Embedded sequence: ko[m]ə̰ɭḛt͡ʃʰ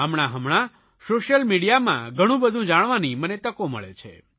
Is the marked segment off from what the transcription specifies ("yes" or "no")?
no